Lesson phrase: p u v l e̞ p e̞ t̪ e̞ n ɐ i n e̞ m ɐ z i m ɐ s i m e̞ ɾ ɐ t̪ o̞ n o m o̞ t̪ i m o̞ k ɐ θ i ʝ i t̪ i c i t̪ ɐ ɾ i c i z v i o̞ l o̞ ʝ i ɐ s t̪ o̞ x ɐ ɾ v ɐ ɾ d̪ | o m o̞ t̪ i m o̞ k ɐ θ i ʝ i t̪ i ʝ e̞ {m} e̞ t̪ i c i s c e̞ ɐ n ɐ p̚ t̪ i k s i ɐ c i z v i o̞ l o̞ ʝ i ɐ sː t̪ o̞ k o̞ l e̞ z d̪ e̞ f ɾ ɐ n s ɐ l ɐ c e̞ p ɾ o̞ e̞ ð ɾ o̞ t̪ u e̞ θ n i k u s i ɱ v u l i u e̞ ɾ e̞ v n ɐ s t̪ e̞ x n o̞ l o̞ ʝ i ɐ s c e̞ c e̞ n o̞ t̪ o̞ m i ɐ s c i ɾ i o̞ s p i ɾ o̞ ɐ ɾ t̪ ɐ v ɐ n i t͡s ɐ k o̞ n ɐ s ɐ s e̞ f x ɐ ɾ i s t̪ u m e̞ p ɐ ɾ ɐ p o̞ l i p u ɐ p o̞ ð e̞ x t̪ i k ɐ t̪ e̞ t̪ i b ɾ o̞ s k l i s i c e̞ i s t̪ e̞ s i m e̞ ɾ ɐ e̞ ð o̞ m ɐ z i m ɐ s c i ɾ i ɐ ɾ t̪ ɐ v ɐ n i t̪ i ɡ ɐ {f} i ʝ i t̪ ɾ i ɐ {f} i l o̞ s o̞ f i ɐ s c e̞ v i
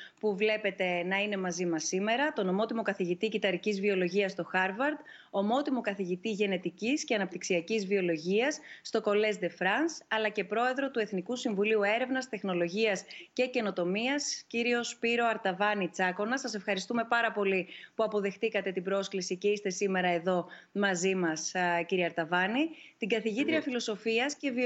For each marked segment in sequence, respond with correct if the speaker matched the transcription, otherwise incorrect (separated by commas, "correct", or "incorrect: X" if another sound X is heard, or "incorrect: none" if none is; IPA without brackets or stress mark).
incorrect: n, incorrect: θ, correct